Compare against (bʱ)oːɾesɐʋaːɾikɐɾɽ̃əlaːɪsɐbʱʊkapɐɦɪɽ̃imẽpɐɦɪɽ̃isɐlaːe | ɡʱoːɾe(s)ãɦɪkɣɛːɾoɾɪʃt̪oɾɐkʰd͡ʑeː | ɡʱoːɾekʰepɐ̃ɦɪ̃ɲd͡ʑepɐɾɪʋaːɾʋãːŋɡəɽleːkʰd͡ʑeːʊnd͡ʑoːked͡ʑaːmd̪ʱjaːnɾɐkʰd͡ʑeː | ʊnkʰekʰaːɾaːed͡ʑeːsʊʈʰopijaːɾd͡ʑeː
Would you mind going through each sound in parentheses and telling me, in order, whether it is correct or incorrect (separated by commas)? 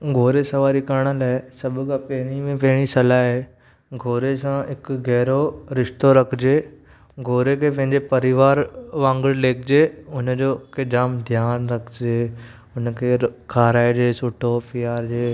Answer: incorrect, correct